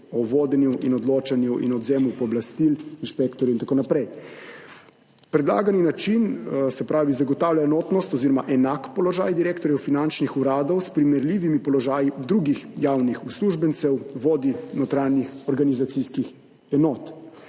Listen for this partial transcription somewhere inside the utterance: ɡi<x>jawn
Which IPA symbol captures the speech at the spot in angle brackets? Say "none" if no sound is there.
x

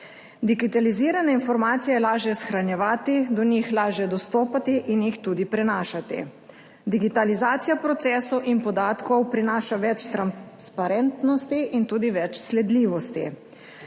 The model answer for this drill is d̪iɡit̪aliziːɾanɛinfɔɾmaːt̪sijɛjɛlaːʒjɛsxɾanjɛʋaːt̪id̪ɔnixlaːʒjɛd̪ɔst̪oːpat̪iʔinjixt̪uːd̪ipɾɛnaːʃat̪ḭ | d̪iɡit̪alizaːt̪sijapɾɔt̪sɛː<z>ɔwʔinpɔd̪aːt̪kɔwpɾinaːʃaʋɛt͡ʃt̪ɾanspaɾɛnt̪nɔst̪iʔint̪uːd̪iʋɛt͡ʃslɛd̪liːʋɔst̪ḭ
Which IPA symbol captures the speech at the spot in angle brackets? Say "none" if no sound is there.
s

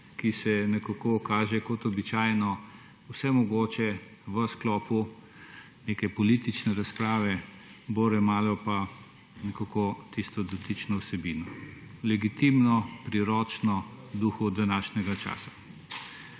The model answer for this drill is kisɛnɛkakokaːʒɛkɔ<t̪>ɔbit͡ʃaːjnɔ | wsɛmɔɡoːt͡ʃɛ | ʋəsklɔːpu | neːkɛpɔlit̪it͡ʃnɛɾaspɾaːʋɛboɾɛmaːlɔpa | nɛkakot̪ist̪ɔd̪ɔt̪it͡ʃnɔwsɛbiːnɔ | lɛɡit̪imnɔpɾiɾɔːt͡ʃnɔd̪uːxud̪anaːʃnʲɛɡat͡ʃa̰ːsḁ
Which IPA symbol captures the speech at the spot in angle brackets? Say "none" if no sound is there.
t̪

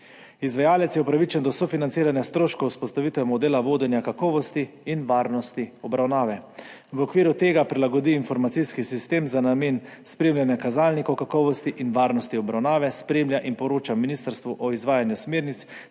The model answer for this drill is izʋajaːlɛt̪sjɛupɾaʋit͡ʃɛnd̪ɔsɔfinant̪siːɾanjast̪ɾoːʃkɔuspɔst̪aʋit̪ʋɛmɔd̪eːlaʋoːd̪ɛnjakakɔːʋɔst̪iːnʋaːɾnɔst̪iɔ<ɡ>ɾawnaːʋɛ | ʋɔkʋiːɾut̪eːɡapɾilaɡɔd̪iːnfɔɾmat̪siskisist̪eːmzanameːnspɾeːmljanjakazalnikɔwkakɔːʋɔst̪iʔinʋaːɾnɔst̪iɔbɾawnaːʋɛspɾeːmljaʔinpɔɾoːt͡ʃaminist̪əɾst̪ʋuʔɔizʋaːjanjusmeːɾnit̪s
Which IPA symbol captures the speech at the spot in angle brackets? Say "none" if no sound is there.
b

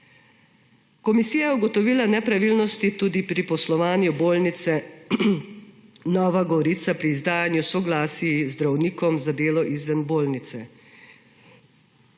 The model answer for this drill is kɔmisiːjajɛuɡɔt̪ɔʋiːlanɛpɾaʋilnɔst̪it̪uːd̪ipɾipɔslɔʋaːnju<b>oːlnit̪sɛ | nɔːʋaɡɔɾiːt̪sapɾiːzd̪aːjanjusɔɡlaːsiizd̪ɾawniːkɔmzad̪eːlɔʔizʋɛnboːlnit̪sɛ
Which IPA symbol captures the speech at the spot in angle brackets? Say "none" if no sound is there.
b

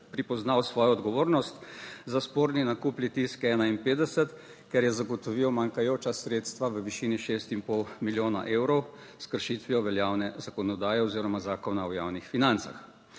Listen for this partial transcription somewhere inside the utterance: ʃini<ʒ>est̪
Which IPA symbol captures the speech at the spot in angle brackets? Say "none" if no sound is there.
ʃ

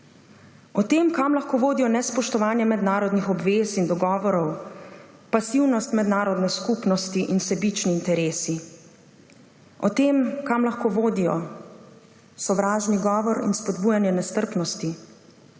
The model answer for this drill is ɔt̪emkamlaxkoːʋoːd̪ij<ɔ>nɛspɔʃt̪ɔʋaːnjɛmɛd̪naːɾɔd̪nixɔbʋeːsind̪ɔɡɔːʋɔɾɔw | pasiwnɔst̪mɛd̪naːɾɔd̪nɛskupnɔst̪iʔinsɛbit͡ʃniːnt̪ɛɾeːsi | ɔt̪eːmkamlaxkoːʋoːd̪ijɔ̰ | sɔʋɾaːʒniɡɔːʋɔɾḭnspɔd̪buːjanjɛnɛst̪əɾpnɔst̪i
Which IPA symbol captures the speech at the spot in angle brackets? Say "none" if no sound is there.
ɔ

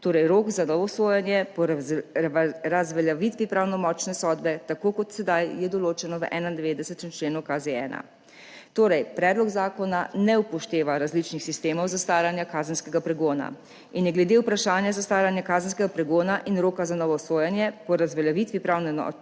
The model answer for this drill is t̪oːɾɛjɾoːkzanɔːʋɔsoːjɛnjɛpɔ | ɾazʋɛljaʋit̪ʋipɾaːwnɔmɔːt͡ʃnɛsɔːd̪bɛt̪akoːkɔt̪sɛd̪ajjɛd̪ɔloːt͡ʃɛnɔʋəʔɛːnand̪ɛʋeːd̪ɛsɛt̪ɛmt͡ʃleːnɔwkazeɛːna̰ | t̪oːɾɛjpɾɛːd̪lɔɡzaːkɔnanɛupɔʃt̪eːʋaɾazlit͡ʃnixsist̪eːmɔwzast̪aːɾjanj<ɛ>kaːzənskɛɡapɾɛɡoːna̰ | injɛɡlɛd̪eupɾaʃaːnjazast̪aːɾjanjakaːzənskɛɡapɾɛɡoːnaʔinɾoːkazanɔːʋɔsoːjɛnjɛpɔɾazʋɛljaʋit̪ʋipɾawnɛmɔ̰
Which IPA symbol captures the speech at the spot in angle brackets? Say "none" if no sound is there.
a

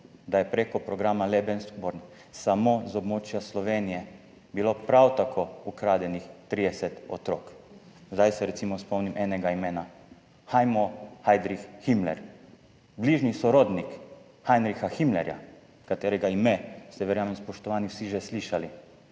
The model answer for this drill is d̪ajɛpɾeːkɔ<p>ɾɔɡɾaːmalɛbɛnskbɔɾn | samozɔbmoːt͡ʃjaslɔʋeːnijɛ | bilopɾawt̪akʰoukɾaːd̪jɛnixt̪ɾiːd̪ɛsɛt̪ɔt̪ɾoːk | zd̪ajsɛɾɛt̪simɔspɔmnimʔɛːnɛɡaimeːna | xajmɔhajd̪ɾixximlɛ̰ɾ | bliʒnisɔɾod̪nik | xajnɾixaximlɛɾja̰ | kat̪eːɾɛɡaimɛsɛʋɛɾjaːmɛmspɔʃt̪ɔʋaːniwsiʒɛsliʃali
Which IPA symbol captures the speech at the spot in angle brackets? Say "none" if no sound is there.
p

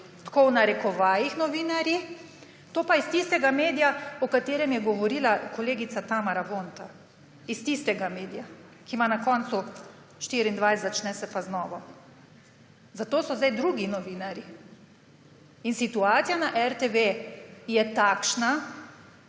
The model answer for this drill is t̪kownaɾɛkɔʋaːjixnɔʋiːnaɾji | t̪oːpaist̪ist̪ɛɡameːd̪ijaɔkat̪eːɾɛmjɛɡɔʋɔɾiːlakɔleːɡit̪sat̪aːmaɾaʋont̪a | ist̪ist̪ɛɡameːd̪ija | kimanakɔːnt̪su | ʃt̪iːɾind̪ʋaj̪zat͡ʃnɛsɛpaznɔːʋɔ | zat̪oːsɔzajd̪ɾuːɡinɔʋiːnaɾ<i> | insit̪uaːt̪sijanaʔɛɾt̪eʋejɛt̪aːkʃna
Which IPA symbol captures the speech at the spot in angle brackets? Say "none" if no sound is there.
i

